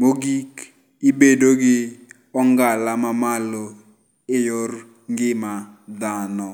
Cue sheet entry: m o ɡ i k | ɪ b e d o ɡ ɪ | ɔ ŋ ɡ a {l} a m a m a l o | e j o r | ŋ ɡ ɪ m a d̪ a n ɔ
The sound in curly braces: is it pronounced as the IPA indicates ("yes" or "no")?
yes